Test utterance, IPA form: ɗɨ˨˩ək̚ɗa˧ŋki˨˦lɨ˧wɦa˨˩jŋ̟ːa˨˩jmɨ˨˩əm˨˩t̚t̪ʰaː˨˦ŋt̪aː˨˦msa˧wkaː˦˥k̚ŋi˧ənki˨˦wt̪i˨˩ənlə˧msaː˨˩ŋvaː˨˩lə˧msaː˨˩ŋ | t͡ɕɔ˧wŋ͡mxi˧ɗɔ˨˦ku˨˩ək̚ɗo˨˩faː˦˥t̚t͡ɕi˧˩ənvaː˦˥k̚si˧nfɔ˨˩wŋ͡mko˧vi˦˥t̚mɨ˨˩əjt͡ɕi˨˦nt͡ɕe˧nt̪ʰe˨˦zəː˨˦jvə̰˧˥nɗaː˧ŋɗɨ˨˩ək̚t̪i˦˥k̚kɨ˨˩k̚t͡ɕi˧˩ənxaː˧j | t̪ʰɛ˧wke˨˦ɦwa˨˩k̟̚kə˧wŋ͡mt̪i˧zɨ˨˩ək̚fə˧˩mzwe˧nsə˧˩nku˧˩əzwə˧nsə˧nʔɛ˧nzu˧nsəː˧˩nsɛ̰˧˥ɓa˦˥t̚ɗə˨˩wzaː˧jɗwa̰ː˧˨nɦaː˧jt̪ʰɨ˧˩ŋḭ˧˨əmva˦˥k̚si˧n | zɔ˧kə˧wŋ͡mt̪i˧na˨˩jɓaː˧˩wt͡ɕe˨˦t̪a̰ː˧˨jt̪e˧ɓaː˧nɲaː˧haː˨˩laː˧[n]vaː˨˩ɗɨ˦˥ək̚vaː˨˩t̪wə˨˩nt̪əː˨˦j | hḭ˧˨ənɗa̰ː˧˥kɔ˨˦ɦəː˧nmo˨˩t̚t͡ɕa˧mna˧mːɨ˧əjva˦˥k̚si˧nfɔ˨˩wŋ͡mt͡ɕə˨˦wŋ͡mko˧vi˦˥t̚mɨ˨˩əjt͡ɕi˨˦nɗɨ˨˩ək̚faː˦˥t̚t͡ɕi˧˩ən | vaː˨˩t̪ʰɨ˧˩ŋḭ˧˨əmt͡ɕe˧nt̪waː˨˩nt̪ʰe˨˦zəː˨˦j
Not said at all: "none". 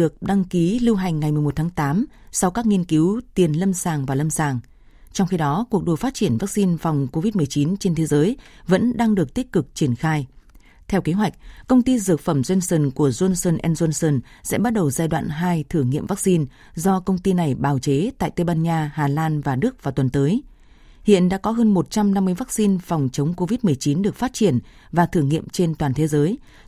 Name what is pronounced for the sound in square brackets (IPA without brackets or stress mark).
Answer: n